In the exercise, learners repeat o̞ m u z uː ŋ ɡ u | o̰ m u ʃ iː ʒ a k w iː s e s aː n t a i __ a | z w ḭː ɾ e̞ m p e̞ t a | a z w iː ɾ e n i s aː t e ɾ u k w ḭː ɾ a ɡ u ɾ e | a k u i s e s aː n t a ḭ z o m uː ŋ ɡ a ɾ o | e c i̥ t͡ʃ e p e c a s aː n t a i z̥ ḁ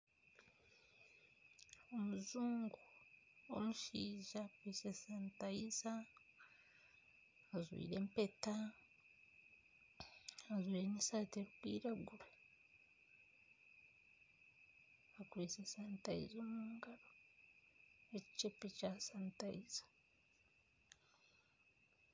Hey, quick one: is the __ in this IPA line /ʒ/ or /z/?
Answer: z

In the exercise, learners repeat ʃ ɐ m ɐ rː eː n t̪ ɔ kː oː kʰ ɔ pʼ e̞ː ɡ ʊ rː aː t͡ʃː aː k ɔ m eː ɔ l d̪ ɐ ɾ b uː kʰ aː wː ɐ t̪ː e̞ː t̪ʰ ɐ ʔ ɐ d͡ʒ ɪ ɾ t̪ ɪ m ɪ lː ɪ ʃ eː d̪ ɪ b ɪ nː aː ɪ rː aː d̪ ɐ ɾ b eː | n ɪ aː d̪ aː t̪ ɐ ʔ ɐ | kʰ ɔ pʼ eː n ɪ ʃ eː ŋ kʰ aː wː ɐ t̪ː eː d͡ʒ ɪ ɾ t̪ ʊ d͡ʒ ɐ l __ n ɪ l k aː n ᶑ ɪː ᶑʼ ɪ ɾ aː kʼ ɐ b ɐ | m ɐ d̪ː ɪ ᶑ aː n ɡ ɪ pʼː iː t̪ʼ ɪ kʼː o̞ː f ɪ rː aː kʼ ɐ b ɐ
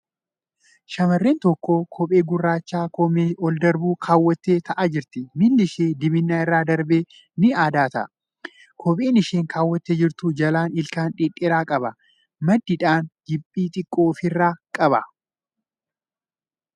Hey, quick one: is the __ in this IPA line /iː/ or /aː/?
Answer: aː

